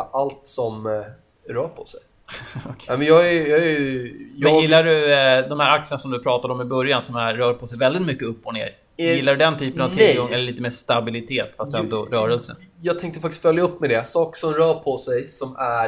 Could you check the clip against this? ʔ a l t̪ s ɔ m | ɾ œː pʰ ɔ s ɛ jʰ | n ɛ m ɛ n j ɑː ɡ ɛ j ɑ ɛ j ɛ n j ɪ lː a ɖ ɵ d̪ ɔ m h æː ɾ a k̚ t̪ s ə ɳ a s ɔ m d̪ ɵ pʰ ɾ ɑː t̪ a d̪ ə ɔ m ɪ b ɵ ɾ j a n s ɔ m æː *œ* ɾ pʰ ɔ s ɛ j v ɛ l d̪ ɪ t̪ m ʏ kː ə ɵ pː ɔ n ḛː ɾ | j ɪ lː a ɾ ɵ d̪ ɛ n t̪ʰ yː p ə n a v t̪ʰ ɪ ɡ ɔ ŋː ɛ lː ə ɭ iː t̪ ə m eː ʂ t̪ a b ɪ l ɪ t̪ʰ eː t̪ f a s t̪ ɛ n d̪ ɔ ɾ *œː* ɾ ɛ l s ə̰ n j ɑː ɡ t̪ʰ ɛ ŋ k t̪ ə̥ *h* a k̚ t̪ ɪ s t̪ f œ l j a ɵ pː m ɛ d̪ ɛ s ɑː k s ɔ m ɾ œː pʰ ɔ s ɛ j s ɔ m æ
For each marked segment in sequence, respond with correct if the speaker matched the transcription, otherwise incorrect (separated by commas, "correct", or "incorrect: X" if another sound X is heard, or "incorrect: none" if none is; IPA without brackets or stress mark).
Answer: incorrect: œː, correct, incorrect: f